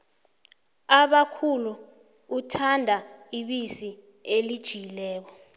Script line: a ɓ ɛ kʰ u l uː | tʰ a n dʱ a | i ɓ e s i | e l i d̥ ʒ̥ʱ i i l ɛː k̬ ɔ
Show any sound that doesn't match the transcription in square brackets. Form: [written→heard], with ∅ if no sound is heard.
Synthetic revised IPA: a ɓ [ɛ→a] kʰ u l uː | tʰ a n dʱ a | i ɓ [e→i] s i | e l i d̥ ʒ̥ʱ i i l ɛː k̬ ɔ